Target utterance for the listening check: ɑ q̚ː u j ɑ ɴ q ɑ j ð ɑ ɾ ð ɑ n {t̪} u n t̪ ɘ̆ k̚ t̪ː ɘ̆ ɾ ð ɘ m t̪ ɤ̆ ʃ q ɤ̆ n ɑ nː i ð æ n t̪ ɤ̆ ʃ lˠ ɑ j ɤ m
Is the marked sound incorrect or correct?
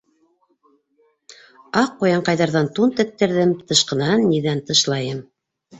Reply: correct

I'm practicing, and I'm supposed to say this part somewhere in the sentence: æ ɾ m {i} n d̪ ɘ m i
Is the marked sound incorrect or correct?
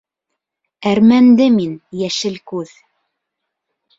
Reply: incorrect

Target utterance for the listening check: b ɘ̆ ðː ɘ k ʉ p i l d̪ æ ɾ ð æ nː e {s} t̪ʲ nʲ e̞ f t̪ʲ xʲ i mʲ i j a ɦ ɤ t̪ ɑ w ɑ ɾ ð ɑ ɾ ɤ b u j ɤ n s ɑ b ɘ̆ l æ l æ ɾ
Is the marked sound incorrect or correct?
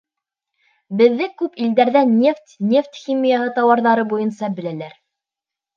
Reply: incorrect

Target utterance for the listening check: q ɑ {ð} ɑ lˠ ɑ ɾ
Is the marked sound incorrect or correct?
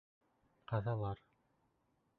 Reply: correct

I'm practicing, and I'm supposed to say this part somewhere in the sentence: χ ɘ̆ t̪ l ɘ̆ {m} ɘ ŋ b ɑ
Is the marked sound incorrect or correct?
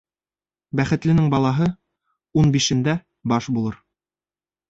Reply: incorrect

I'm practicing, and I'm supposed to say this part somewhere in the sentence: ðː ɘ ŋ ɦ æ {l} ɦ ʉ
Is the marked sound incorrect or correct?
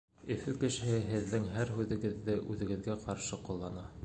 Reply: incorrect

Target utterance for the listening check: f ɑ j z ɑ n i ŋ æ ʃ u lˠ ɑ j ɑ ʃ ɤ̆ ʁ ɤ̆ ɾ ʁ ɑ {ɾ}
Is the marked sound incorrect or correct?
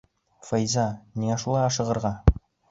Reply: incorrect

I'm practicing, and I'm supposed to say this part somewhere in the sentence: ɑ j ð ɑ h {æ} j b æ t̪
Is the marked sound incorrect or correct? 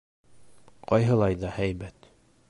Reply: correct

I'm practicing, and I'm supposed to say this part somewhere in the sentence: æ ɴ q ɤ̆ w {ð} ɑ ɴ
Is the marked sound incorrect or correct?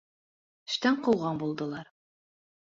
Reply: incorrect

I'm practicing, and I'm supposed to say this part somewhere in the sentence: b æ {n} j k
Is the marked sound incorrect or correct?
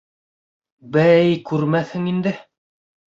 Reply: incorrect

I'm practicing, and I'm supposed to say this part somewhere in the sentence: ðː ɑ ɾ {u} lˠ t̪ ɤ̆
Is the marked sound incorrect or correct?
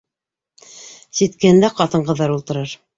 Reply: correct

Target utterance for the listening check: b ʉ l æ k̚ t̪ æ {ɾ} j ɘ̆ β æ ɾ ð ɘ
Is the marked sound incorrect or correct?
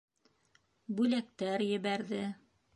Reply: correct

